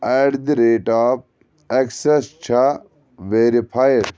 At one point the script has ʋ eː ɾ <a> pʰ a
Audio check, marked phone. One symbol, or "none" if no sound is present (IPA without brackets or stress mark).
i